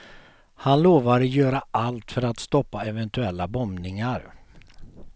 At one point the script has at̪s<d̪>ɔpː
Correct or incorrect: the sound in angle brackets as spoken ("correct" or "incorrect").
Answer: incorrect